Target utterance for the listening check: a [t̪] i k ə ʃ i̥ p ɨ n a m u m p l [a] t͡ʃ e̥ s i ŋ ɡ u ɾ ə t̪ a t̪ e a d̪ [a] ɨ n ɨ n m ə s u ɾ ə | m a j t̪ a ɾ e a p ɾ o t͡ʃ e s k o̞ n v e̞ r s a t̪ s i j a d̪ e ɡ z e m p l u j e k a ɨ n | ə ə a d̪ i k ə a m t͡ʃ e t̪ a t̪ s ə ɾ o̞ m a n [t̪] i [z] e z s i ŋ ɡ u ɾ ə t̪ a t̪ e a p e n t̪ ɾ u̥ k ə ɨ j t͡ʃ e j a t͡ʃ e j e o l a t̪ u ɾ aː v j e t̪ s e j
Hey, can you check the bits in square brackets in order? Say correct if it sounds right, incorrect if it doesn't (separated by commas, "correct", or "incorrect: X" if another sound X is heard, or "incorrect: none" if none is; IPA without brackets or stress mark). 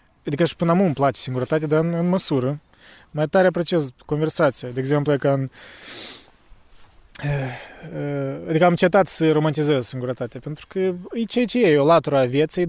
incorrect: d̪, correct, correct, correct, correct